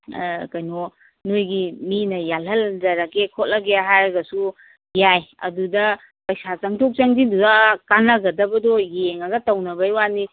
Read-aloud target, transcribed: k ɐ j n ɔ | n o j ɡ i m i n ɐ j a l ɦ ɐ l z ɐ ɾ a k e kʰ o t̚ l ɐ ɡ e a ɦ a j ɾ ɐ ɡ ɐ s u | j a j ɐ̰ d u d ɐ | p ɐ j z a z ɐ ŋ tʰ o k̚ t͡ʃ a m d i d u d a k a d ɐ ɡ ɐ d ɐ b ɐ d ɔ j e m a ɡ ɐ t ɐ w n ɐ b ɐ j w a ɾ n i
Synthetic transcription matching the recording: k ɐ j n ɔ | n o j ɡ i m i n ɐ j a l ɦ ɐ l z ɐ ɾ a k e kʰ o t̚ l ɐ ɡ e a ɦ a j ɾ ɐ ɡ ɐ s u | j a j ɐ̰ d u d ɐ | p ɐ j s a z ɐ ŋ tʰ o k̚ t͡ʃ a ŋ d i d u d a k a n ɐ ɡ ɐ d ɐ b ɐ d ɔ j e ŋ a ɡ ɐ t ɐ w n ɐ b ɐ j w a n i